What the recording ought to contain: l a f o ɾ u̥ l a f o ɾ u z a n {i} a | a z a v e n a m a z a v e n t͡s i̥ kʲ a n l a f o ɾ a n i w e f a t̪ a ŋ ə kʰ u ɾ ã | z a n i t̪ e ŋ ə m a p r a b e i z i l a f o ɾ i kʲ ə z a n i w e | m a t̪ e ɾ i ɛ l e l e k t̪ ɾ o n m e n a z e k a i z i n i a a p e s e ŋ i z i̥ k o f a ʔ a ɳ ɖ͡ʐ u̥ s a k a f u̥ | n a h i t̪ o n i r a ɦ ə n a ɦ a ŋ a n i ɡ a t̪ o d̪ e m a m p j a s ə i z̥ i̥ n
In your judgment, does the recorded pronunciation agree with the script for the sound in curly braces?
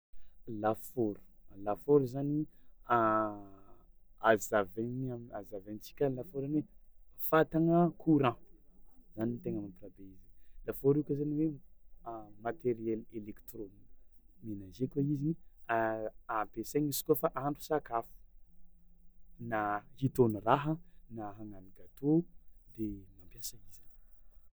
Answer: yes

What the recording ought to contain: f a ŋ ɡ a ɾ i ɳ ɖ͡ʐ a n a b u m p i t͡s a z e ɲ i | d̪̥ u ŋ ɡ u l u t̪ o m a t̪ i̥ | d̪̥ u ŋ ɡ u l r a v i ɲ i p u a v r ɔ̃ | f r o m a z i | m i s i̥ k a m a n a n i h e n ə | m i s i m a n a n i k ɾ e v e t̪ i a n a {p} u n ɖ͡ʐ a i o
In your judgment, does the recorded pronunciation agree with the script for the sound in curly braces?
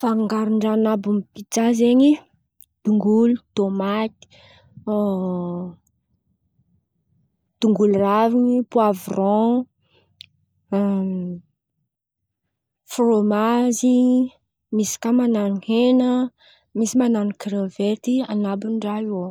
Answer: no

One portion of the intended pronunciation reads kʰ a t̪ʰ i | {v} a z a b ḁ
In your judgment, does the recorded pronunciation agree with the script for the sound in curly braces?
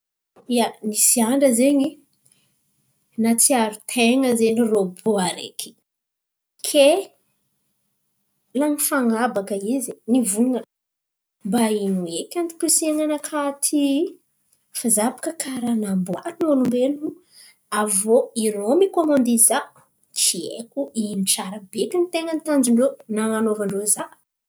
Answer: no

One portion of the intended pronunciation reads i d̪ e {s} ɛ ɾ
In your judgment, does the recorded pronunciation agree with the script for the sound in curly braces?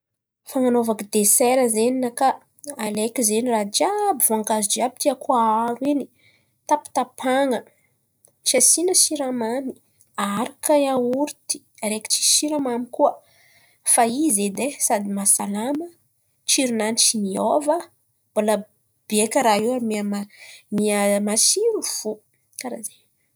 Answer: yes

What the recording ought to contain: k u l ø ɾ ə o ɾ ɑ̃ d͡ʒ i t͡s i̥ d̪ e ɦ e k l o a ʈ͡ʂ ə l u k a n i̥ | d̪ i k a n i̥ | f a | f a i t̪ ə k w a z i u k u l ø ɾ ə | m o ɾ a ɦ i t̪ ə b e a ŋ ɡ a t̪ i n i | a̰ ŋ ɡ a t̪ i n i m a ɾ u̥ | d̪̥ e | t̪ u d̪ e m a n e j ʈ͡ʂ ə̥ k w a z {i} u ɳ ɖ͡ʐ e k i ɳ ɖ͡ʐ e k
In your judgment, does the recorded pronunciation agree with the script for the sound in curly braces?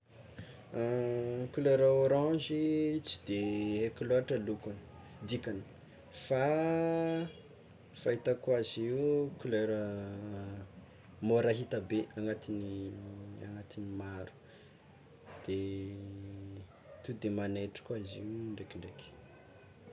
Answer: yes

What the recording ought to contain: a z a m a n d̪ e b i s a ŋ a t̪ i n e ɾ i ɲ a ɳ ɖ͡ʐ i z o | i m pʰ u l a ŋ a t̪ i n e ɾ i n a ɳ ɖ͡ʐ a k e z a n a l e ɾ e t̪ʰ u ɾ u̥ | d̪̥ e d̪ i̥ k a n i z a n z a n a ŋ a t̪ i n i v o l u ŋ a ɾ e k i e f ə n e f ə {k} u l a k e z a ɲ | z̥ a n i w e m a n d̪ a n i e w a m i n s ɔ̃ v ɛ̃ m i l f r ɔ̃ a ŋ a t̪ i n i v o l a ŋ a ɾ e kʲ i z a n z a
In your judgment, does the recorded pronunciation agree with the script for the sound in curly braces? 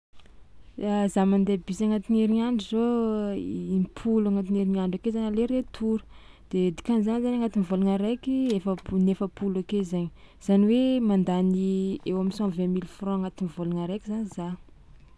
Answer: no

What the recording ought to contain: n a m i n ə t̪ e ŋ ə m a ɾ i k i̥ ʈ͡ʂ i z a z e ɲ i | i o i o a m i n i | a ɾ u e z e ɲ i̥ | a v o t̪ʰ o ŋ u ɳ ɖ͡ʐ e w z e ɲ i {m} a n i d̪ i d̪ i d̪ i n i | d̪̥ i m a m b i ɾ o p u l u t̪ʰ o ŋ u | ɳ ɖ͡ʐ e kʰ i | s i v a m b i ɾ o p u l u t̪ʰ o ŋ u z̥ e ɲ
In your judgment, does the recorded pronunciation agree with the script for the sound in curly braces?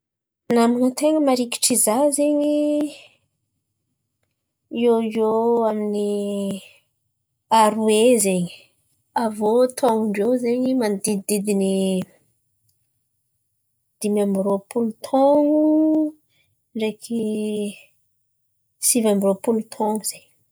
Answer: yes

